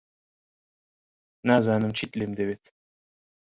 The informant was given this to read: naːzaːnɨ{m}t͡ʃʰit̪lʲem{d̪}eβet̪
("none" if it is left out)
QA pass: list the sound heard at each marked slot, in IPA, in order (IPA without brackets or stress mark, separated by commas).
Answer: m, d̪